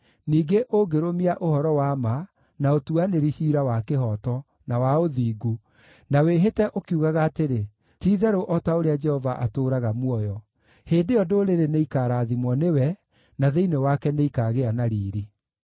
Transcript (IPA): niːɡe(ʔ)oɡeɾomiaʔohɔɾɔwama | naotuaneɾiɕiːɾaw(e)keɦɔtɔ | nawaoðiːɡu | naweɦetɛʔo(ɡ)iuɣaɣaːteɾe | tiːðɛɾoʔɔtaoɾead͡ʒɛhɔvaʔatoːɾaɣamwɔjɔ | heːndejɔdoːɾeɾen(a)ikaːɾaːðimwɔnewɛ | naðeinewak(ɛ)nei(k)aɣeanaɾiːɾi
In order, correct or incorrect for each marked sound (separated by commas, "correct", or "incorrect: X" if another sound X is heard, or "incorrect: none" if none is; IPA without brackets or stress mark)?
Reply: correct, incorrect: a, incorrect: k, incorrect: e, correct, correct